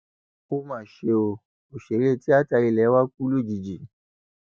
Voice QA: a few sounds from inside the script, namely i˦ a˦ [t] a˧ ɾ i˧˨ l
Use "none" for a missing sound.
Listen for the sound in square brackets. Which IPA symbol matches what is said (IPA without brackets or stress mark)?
t